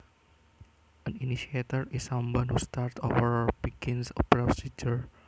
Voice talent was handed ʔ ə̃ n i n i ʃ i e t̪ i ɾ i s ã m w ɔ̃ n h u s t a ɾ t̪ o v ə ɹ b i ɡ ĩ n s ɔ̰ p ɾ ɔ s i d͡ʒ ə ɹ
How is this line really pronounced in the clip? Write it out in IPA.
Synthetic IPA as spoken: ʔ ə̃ n i n i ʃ i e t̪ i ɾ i s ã m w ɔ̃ n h u s t a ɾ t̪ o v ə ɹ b i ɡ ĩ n s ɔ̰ p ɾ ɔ s i d͡ʒ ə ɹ